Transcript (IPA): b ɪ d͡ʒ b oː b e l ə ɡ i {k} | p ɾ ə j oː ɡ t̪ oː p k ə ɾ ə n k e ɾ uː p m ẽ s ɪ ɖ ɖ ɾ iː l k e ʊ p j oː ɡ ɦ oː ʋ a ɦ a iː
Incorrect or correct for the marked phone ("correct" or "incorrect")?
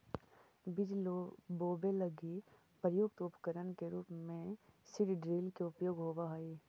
incorrect